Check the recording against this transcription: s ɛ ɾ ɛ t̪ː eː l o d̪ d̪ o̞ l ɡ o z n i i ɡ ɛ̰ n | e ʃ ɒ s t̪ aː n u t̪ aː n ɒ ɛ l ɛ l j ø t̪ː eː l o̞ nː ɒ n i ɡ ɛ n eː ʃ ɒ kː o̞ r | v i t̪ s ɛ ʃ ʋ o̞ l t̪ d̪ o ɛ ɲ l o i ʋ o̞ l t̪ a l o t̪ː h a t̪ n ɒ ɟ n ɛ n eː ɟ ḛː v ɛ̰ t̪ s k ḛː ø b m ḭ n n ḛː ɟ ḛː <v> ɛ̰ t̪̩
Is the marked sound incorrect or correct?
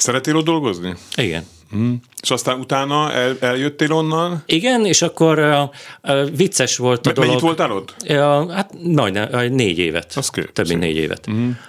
correct